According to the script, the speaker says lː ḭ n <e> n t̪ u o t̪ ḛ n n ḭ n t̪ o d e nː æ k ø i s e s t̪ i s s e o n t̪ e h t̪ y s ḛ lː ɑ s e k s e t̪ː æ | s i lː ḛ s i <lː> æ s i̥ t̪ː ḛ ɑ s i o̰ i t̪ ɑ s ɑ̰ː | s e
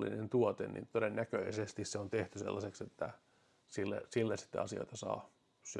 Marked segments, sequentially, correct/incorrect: correct, correct

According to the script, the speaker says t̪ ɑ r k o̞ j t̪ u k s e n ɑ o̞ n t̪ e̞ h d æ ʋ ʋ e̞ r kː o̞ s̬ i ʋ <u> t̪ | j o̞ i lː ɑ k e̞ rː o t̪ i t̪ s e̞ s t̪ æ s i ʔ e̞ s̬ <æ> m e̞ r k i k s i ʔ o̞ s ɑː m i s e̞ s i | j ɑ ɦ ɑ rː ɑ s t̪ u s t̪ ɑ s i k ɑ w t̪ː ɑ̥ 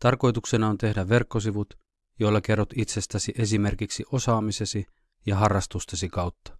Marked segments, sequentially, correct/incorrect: correct, incorrect

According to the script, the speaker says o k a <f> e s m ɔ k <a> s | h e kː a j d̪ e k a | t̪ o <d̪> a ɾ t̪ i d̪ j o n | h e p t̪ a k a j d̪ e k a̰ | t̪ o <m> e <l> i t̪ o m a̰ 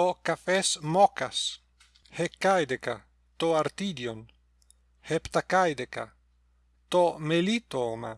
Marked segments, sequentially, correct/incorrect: correct, correct, incorrect, correct, correct

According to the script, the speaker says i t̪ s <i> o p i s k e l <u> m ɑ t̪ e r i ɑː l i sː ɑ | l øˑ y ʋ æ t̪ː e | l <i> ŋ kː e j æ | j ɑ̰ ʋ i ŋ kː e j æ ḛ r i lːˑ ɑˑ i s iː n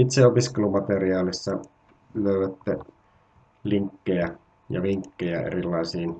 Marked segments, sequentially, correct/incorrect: incorrect, correct, correct

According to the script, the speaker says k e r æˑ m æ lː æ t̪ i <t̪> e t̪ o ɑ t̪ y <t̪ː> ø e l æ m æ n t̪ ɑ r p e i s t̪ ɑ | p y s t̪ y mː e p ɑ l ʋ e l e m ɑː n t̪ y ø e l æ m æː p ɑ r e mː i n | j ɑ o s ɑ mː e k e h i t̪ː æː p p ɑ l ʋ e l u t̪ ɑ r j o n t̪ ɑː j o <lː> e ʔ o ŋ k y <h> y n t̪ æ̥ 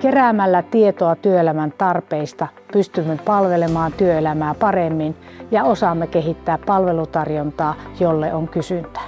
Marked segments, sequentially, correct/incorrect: incorrect, incorrect, correct, incorrect

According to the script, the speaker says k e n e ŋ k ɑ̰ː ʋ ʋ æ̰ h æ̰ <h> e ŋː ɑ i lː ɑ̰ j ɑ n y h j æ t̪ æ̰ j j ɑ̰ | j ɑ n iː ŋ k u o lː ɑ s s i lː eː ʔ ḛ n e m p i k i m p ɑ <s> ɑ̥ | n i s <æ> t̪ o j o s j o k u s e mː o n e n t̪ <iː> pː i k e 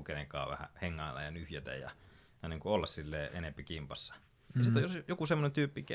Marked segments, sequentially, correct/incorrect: correct, incorrect, incorrect, incorrect

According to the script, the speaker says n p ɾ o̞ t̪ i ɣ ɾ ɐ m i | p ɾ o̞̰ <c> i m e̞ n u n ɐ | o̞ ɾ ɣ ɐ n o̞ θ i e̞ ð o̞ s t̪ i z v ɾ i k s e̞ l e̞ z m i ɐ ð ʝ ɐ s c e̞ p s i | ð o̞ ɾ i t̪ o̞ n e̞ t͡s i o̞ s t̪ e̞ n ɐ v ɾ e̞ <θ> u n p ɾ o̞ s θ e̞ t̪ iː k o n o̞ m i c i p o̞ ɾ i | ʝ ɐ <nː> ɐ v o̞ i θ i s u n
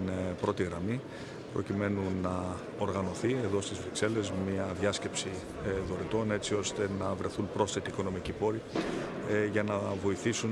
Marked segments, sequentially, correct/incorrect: correct, correct, incorrect

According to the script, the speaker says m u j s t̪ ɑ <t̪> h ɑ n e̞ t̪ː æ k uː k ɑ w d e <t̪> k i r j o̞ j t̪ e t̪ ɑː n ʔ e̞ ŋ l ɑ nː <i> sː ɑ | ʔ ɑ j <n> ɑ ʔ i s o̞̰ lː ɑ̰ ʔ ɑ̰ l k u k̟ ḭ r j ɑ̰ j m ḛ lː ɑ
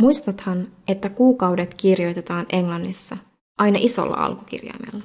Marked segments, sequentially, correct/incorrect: correct, correct, correct, correct

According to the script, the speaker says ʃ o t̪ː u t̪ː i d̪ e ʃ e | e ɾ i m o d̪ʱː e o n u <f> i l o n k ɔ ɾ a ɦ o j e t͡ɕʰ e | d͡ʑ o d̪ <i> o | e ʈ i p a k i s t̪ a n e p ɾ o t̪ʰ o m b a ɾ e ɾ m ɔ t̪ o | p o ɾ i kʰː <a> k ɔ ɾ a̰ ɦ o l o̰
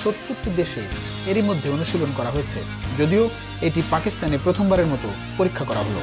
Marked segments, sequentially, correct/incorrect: incorrect, correct, correct

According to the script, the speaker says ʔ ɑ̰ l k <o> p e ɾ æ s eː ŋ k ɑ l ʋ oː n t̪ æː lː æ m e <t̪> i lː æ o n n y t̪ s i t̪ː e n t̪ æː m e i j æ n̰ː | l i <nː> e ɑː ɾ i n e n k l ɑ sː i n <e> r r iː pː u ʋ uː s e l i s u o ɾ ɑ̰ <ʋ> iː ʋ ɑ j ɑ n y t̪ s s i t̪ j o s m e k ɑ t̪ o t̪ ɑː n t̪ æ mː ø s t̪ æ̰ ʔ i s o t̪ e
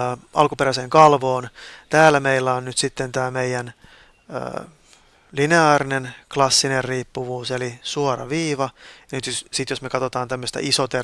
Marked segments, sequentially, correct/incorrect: incorrect, incorrect, incorrect, correct, correct

